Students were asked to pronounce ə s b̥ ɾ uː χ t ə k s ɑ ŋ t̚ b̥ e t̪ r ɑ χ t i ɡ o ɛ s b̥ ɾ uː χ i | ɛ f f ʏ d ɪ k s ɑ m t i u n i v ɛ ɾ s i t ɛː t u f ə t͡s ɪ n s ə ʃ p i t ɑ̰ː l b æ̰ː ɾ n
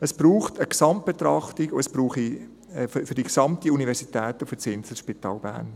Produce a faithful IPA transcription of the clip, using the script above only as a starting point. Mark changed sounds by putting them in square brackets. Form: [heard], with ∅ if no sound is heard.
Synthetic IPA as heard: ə s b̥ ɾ uː χ t ə k s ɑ [m] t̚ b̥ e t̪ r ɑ χ t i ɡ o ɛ s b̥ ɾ uː χ i | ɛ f f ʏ d [i] k s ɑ m t i u n i v ɛ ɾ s i t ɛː t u f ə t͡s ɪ n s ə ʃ p i t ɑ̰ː l b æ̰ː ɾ n